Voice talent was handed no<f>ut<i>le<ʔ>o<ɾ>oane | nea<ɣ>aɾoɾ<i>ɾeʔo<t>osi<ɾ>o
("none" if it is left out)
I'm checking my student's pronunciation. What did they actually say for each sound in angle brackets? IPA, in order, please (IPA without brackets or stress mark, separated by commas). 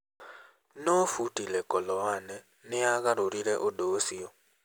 f, i, k, l, ɣ, i, d, none